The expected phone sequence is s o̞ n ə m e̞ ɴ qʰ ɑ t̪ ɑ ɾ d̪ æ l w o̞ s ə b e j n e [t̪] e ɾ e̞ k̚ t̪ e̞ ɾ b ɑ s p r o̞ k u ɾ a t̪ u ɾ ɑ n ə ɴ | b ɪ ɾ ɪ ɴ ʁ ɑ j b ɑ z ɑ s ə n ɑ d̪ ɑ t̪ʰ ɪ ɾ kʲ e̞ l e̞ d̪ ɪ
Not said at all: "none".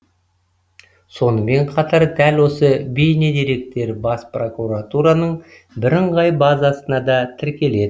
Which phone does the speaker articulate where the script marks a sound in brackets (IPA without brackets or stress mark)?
d̪